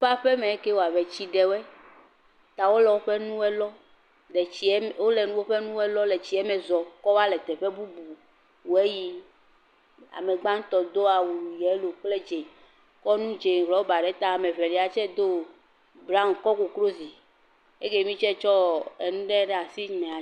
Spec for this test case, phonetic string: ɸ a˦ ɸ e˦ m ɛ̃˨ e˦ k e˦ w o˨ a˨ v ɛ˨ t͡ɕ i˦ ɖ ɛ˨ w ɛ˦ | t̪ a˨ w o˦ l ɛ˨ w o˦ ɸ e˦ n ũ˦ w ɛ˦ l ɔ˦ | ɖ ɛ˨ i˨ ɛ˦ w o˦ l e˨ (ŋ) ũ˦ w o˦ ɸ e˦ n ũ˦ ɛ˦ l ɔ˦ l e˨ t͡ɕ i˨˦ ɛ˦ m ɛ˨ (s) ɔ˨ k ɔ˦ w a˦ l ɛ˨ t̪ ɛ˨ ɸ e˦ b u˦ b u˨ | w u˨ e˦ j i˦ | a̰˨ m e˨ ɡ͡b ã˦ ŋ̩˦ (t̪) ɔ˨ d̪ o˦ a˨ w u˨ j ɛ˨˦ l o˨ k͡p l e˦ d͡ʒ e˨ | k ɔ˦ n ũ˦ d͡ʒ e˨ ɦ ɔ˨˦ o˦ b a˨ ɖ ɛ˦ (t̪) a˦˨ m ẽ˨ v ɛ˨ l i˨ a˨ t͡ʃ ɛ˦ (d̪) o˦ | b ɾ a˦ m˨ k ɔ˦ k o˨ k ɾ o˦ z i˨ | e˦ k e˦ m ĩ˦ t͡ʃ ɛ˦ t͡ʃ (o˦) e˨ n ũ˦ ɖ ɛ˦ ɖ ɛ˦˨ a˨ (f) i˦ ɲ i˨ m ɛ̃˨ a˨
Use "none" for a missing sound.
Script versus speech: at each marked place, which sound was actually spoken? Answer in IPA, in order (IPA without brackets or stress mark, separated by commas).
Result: n, z, t̪, t̪, d̪, ɔ˦, s